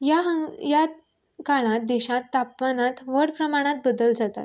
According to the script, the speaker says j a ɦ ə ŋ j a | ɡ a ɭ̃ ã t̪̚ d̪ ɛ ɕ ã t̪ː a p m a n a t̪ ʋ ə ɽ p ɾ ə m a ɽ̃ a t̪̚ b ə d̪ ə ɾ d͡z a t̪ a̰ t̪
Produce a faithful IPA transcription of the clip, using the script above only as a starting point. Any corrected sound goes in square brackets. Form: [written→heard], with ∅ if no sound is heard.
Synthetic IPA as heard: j a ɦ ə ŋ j a | [ɡ→k] a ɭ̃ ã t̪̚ d̪ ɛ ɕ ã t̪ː a p m a n a t̪ ʋ ə ɽ p ɾ ə m a ɽ̃ a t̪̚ b ə d̪ ə [ɾ→l] d͡z a t̪ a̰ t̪